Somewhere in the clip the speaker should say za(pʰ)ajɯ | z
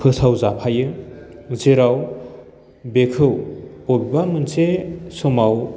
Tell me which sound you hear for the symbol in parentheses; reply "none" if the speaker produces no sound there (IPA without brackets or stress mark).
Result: pʰ